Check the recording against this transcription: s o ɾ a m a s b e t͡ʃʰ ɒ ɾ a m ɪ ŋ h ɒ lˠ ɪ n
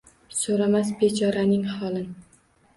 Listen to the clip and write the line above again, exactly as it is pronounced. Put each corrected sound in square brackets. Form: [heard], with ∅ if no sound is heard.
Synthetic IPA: s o ɾ a m a s b e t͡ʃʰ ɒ ɾ a [n] ɪ ŋ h ɒ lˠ ɪ n

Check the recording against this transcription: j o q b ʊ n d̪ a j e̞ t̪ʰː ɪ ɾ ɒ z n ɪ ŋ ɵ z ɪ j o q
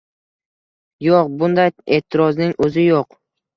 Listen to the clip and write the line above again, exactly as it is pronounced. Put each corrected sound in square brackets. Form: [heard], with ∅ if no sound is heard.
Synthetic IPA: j o q b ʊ n d̪ a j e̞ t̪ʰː ɪ ɾ ɒ z n ɪ ŋ ɵ z ɪ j o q

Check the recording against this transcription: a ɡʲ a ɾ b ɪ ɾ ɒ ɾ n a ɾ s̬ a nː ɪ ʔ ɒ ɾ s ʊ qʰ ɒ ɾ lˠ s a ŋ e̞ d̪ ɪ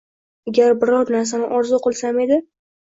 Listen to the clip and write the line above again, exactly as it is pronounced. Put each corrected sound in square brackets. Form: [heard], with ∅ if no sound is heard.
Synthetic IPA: a ɡʲ a ɾ b ɪ ɾ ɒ ɾ n a ɾ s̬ a [n] ɪ ʔ ɒ ɾ [z] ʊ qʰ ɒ [∅] lˠ s a [m] e̞ d̪ ɪ

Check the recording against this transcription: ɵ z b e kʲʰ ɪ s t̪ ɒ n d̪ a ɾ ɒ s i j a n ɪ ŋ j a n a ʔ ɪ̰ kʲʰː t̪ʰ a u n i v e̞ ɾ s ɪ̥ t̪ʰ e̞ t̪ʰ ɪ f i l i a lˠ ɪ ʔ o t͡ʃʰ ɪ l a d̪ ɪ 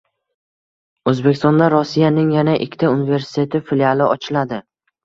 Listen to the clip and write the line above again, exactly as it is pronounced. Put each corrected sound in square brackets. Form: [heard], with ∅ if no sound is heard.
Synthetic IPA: ɵ z b e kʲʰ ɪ s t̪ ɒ n d̪ a ɾ ɒ s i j a n ɪ ŋ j a n a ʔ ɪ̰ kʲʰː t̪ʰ a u n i v e̞ ɾ s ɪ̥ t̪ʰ e̞ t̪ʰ ɪ f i l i a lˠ ɪ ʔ [ɒ] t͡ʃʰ ɪ l a d̪ ɪ

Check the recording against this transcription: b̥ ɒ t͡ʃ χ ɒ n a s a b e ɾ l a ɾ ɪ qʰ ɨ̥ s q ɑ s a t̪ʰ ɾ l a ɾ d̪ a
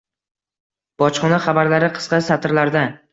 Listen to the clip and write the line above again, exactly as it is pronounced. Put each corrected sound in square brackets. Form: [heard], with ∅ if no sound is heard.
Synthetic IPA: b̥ ɒ t͡ʃ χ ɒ n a [χ] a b [a] ɾ l a ɾ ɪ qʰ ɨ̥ s q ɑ s a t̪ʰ ɾ l a ɾ d̪ a

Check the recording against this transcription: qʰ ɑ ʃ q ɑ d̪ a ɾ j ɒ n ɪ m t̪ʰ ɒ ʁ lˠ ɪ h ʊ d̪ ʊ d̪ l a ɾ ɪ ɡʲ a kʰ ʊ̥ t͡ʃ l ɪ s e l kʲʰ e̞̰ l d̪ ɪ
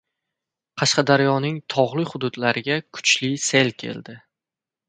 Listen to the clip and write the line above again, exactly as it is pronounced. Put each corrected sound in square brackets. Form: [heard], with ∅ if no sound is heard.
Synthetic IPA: qʰ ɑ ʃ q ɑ d̪ a ɾ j ɒ n ɪ [ŋ] t̪ʰ ɒ ʁ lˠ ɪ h ʊ d̪ ʊ d̪ l a ɾ ɪ ɡʲ a kʰ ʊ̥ t͡ʃ l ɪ s e l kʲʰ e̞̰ l d̪ ɪ

